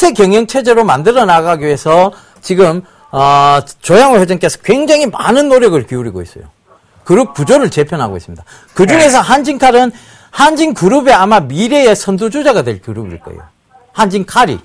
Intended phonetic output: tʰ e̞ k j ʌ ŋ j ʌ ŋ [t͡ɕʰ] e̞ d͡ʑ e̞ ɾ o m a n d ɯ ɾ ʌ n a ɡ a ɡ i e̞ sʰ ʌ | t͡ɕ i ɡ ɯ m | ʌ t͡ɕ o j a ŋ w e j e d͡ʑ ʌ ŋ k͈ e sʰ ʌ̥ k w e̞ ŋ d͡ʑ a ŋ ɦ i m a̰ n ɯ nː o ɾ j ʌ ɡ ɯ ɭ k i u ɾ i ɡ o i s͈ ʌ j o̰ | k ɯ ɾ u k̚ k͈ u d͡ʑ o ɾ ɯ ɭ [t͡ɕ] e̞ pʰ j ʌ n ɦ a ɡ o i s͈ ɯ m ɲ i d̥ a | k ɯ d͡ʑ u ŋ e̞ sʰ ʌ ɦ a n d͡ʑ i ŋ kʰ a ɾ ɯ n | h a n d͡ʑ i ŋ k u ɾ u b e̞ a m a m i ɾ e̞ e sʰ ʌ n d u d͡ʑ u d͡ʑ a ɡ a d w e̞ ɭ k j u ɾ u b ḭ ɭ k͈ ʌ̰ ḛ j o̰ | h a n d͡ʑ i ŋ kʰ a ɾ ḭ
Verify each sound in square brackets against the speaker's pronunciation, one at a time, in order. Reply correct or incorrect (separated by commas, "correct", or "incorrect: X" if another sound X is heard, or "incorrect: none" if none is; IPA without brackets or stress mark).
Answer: correct, correct